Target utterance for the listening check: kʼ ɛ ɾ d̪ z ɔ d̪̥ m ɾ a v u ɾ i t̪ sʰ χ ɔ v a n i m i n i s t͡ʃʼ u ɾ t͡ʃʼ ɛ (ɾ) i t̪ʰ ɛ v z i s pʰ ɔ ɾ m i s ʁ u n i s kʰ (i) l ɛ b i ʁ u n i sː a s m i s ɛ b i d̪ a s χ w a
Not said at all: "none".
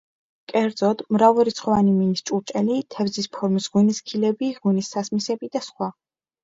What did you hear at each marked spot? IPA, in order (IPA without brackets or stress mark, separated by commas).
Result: l, i